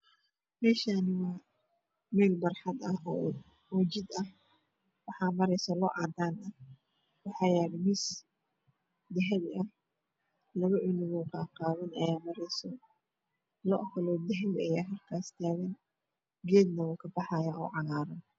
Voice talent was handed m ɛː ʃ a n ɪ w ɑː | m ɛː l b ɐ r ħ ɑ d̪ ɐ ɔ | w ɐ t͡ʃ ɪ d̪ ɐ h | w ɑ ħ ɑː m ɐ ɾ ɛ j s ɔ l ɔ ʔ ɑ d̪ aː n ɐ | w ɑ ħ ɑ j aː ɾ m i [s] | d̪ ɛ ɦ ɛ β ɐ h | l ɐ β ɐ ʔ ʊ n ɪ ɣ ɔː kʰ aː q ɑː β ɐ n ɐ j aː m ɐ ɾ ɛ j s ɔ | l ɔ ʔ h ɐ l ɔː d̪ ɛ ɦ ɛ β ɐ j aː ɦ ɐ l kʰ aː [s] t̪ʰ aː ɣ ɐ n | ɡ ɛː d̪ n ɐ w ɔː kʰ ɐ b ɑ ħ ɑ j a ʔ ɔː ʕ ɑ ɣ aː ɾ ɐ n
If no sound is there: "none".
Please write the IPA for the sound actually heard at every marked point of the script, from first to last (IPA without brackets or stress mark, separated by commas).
s, s